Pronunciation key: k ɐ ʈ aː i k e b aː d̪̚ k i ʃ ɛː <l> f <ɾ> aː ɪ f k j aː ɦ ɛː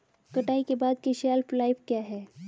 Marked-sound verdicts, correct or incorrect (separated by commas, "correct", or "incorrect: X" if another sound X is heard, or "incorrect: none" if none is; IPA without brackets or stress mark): correct, incorrect: l